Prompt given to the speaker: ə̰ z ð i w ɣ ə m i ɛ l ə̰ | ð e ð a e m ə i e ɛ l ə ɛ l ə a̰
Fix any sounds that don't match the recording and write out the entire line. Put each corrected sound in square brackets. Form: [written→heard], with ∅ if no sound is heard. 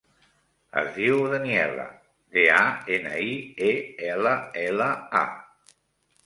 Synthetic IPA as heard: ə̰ z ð i w [ɣ→ð] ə [m→n] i ɛ l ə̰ | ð e [ð→∅] a e [m→n] ə i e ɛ l ə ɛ l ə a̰

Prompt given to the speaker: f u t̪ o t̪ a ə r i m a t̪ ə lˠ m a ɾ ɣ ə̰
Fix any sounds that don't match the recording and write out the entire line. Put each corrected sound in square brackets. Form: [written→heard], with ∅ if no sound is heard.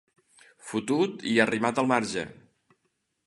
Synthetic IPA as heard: f u t̪ [o→u] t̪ [a→i] ə r i m a t̪ ə lˠ m a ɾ [ɣ→ʒ] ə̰

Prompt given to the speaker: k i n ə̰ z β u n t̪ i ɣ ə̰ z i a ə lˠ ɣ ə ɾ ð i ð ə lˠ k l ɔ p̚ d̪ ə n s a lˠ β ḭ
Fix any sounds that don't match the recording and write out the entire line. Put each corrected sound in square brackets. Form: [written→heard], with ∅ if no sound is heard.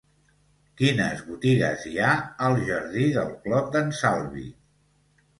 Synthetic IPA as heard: k i n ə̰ z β u [n→∅] t̪ i ɣ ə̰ z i a ə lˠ [ɣ→ʒ] ə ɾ ð i ð ə lˠ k l ɔ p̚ d̪ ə n s a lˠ β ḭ

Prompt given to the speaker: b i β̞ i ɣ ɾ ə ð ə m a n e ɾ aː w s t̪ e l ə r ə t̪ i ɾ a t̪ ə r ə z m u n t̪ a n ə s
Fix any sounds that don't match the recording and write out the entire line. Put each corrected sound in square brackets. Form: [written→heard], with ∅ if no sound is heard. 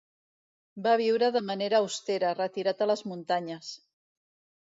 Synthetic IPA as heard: b [i→a] β̞ i [ɣ→w] ɾ ə ð ə m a n e ɾ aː w s t̪ e [l→ɾ] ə r ə t̪ i ɾ a t̪ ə [r→l] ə z m u n t̪ a [n→ɲ] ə s

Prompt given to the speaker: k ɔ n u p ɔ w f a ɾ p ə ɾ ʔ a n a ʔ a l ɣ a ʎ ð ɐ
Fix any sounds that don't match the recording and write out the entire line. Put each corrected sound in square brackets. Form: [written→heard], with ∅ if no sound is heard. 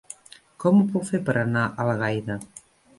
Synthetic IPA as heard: k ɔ [n→m] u p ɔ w f [a→e] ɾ p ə ɾ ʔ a n a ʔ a l ɣ a [ʎ→j] ð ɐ

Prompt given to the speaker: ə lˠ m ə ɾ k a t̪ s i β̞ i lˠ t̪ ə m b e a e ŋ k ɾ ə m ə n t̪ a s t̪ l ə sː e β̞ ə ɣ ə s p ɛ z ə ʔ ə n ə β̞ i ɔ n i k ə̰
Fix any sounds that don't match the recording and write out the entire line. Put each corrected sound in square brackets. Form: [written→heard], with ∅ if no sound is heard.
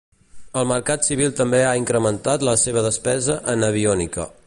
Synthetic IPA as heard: ə lˠ m ə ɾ k a t̪ s i β̞ i lˠ t̪ ə m b e a [e→i] ŋ k ɾ ə m ə n t̪ a [s→∅] t̪ l ə [sː→s] e β̞ ə [ɣ→ð] ə s p ɛ z ə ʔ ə n ə β̞ i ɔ n i k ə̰

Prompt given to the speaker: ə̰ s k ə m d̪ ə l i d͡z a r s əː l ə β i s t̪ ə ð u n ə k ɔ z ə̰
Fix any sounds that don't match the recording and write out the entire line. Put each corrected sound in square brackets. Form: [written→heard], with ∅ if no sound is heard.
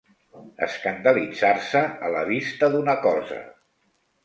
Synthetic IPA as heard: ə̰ s k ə [m→n] d̪ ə l i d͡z a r s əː l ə β i s t̪ ə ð u n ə k ɔ z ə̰

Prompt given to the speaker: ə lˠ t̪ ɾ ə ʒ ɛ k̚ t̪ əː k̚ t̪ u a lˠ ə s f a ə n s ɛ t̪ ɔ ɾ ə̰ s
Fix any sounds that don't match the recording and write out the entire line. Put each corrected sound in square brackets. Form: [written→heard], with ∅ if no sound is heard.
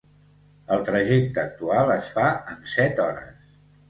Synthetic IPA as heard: ə lˠ t̪ ɾ ə ʒ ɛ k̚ t̪ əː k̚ t̪ u a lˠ ə s f a ə n s ɛ t̪ ɔ ɾ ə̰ s

